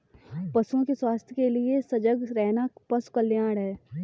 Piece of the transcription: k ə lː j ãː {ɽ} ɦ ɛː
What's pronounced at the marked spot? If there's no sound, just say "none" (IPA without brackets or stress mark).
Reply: ɽ